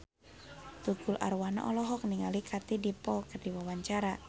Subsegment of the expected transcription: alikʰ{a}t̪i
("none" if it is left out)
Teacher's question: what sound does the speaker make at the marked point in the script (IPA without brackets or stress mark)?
a